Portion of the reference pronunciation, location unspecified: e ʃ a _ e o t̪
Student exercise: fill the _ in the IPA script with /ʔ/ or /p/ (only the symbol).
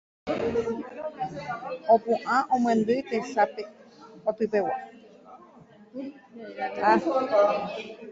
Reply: p